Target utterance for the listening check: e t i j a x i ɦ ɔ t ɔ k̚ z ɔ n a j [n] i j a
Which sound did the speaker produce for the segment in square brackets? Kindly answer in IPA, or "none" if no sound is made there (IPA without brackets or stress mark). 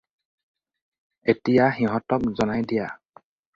d